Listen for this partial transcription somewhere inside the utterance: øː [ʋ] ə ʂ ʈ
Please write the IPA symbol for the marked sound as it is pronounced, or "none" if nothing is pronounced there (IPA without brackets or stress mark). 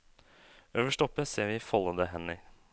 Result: ʋ